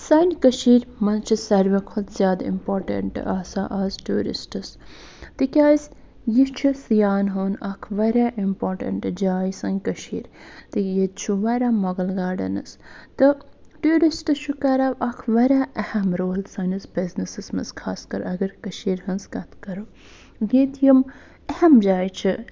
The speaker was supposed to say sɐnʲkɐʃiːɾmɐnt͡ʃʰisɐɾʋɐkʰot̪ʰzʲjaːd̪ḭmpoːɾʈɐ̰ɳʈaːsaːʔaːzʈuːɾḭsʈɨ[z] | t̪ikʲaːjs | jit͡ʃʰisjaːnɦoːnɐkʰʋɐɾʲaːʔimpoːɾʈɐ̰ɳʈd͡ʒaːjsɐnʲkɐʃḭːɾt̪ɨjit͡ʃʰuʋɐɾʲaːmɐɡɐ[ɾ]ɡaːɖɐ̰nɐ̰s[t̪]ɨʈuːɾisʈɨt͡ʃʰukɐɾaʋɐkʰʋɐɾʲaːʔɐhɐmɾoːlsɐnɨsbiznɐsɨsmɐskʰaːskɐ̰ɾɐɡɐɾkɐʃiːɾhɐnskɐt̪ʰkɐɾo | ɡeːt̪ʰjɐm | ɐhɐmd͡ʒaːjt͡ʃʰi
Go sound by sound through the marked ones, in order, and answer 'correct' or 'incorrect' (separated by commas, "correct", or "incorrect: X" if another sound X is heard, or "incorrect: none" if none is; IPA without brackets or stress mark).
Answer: incorrect: s, incorrect: l, correct